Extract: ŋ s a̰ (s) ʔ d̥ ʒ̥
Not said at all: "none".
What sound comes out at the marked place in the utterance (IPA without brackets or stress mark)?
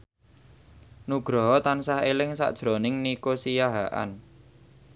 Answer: none